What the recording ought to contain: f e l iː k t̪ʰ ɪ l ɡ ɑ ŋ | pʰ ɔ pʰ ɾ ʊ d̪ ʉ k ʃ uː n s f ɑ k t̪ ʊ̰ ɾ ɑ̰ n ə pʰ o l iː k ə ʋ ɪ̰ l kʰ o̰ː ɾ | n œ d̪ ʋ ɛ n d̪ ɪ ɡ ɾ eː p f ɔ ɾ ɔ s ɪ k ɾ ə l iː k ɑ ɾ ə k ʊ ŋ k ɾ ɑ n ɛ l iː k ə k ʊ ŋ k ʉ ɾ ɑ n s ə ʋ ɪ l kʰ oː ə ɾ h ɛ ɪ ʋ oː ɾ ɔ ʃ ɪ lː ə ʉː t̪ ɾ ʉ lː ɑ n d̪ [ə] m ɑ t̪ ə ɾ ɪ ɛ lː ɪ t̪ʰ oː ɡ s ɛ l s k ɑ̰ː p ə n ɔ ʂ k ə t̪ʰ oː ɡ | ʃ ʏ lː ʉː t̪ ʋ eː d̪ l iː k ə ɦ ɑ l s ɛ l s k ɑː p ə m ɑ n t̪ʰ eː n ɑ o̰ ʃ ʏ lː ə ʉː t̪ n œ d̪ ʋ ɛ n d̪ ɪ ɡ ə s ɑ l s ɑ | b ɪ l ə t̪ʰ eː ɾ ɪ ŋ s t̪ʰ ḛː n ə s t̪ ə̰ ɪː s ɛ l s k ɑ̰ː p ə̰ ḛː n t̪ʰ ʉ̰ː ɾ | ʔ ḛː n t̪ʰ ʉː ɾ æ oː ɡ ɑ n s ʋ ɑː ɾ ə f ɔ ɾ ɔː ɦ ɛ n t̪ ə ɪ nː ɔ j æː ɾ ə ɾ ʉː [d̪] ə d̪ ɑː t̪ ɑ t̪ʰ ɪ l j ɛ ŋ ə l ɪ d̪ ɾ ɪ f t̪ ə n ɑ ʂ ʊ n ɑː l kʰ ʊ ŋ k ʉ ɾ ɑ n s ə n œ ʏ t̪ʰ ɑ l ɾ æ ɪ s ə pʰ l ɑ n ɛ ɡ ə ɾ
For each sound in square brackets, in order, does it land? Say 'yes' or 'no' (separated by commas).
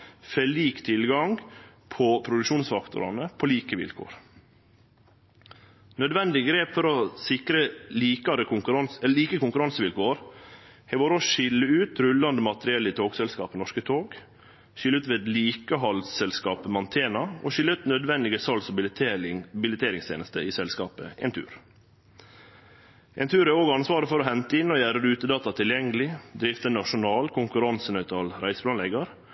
yes, no